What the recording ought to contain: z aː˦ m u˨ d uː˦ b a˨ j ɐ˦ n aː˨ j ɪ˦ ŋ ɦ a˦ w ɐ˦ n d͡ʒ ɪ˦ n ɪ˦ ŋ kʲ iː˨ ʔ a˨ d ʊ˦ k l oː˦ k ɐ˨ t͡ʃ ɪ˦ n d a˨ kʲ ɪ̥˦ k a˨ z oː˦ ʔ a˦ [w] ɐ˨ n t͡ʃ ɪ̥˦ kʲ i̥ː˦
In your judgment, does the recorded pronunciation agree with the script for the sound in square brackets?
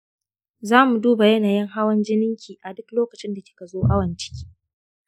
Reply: yes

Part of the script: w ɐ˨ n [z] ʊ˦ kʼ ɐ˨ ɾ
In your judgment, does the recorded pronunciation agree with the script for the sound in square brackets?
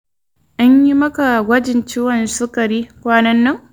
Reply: no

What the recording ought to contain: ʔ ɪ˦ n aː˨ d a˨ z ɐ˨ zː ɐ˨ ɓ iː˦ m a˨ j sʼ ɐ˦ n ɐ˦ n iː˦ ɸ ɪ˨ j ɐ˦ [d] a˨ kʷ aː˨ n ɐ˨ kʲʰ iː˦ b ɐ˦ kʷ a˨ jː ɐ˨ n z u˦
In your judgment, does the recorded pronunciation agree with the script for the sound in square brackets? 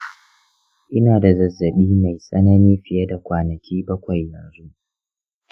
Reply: yes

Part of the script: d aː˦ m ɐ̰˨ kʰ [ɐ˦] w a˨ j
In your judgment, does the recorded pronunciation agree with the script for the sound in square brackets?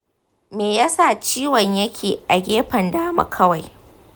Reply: yes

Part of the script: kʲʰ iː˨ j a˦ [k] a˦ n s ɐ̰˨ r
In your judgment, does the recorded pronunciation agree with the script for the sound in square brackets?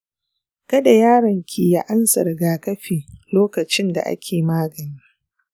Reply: no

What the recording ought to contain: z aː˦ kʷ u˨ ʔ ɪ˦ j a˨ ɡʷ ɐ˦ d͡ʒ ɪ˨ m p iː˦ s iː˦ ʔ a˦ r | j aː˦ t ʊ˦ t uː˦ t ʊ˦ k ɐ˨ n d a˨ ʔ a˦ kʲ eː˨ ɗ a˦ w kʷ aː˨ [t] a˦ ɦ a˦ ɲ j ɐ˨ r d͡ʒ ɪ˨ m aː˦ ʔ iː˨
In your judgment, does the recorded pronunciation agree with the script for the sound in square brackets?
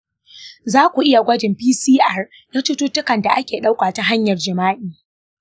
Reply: yes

